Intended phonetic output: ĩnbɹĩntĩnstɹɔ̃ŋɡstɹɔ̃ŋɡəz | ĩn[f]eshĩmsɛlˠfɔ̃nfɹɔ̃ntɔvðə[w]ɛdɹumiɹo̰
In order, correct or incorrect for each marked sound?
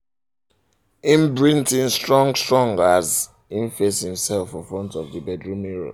correct, incorrect: b

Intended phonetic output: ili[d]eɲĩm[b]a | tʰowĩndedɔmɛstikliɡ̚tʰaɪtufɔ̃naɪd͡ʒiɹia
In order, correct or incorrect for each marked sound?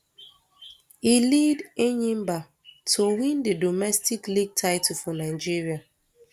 correct, correct

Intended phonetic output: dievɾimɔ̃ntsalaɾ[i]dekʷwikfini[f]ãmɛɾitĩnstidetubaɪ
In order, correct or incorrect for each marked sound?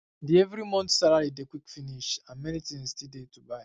correct, incorrect: ʃ

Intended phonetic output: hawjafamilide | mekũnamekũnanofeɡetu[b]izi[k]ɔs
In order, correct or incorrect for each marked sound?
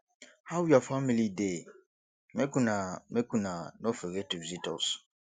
incorrect: v, incorrect: t

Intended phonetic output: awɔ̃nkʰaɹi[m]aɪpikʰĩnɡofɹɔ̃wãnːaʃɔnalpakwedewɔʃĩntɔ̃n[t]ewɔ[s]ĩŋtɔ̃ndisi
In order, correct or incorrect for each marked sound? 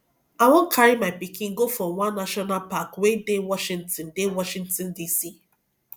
correct, incorrect: d, incorrect: ʃ

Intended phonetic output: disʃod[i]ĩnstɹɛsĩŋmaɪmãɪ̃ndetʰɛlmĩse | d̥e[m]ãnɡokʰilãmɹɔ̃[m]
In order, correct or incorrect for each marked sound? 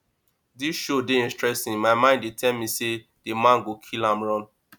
incorrect: e, correct, incorrect: n

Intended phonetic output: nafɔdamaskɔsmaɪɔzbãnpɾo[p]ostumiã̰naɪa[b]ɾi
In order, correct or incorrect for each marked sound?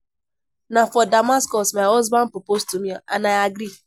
correct, incorrect: ɡ

